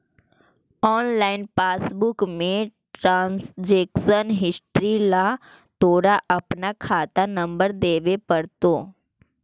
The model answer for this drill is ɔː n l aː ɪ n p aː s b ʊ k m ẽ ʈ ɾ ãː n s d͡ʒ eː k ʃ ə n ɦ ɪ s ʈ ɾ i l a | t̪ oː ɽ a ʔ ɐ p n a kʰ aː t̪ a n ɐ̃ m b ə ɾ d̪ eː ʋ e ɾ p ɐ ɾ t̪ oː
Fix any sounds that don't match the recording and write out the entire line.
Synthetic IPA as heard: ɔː n l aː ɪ n p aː s b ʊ k m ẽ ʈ ɾ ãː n s d͡ʒ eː k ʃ ə n ɦ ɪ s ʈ ɾ i l a | t̪ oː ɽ a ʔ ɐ p n a kʰ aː t̪ a n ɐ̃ m b ə ɾ d̪ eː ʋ e p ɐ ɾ t̪ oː